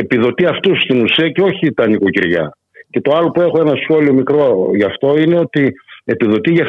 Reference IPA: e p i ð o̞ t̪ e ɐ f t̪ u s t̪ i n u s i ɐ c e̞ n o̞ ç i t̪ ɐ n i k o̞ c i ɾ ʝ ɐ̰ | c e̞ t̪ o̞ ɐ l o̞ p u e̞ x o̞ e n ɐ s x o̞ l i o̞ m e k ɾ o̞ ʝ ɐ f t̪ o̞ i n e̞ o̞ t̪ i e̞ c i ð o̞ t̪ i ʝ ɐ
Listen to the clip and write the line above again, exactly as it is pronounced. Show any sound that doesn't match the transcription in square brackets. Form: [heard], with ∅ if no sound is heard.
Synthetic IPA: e p i ð o̞ t̪ [i] ɐ f t̪ u s t̪ i n u s i ɐ c e̞ [∅] o̞ ç i t̪ ɐ n i k o̞ c i ɾ ʝ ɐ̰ | c e̞ t̪ o̞ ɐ l o̞ p u e̞ x o̞ e n ɐ s x o̞ l i o̞ m [i] k ɾ o̞ ʝ ɐ f t̪ o̞ i n e̞ o̞ t̪ i e̞ [p] i ð o̞ t̪ i ʝ ɐ